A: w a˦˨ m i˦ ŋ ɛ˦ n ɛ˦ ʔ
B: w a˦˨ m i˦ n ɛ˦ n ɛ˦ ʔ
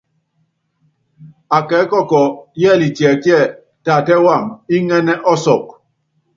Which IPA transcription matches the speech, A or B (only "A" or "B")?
A